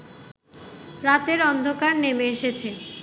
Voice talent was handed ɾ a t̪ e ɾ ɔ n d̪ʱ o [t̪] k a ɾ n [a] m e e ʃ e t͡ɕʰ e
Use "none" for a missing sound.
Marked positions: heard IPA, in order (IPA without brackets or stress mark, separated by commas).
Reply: none, e